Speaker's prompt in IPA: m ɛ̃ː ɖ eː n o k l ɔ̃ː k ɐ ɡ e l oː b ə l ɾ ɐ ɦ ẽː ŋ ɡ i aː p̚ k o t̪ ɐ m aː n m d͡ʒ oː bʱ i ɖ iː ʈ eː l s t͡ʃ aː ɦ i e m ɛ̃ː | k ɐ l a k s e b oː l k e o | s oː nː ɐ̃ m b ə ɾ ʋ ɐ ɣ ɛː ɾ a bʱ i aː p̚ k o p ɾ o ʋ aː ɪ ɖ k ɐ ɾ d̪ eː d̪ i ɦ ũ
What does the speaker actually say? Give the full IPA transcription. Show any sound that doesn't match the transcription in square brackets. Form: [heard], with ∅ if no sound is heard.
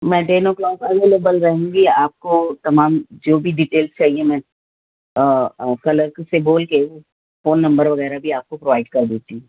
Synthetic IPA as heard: m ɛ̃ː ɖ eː n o k l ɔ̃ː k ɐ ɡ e l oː b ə l ɾ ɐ ɦ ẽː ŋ ɡ i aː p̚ k o t̪ ɐ m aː [∅] m d͡ʒ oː bʱ i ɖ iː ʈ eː l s t͡ʃ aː ɦ i e m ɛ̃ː | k ɐ l [ə] k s e b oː l k e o | [f] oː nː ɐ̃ m b ə ɾ ʋ ɐ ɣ ɛː ɾ a bʱ i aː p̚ k o p ɾ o ʋ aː ɪ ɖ k ɐ ɾ d̪ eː [t̪] i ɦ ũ